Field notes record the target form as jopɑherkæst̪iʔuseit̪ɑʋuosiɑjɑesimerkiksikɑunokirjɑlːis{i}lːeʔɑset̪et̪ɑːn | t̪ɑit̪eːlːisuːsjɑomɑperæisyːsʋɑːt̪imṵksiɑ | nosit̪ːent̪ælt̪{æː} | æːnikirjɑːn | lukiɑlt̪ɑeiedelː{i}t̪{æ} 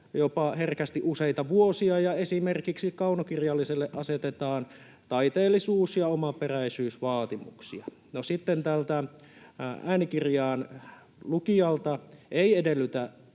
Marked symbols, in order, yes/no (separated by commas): no, no, no, yes